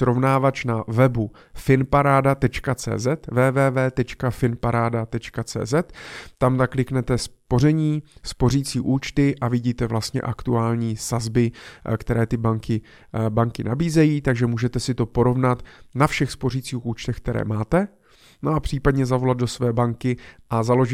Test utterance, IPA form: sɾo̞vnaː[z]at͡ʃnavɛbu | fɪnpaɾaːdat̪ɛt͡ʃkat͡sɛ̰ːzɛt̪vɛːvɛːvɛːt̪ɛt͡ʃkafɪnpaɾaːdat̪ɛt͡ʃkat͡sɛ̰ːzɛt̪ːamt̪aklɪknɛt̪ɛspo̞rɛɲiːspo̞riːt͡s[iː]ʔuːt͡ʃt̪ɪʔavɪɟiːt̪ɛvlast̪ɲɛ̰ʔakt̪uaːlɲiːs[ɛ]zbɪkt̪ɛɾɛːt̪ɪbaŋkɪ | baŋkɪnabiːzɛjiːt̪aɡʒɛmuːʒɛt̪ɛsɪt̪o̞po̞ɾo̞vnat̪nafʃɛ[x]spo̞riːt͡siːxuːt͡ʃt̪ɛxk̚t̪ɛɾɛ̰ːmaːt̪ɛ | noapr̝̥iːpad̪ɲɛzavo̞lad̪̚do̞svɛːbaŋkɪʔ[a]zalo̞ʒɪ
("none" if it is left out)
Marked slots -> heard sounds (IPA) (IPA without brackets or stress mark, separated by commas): v, iː, a, x, a